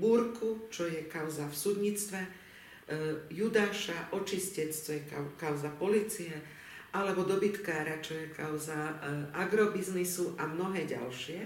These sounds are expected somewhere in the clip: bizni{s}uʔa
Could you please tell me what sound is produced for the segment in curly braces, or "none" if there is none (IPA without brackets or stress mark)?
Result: s